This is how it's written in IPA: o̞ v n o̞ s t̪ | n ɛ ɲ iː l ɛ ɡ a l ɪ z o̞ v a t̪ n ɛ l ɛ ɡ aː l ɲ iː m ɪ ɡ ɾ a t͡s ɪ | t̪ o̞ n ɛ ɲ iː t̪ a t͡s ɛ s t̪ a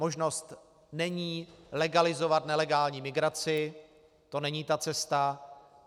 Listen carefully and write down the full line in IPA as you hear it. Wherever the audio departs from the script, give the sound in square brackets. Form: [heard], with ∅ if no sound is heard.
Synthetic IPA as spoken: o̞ [ʒ] n o̞ s t̪ | n ɛ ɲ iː l ɛ ɡ a l ɪ z o̞ v a t̪ n ɛ l ɛ ɡ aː l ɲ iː m ɪ ɡ ɾ a t͡s ɪ | t̪ o̞ n ɛ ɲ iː t̪ a t͡s ɛ s t̪ a